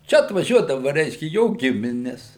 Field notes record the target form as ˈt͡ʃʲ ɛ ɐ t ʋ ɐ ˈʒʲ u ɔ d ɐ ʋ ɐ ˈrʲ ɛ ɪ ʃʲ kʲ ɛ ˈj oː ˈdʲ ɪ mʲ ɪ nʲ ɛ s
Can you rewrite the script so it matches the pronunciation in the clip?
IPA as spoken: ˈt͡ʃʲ ɛ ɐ t ʋ ɐ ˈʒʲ u ɔ d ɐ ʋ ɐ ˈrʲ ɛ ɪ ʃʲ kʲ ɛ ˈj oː ˈɡʲ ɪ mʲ ɪ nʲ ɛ s